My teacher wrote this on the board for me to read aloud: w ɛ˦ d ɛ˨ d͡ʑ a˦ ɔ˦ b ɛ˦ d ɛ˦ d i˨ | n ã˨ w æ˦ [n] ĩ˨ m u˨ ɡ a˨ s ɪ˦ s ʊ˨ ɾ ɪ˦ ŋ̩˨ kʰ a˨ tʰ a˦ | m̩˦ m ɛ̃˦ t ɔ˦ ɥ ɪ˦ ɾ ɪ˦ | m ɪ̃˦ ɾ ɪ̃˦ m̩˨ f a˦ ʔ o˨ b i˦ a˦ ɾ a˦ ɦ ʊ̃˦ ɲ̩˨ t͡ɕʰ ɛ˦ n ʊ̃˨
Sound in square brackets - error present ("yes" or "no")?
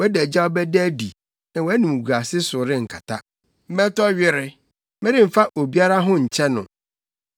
no